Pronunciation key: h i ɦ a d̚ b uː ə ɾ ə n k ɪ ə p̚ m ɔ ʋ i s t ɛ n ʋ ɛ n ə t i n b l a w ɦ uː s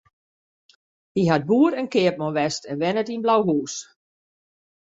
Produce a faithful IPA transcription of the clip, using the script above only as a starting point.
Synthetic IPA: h i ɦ a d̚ b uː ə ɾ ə n k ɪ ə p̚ m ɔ ʋ ɛ s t ɛ n ʋ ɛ n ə t i n b l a w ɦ uː s